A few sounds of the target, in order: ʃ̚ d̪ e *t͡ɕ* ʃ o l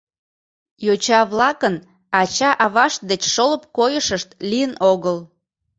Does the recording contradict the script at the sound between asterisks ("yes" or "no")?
no